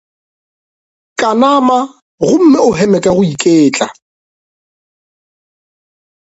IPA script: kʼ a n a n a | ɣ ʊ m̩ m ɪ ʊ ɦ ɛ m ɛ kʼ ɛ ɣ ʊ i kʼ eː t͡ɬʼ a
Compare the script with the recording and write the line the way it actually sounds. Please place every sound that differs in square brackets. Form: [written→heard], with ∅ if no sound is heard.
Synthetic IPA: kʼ a n a [n→m] a | ɣ ʊ m̩ m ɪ ʊ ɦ ɛ m ɛ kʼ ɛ ɣ ʊ i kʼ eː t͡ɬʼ a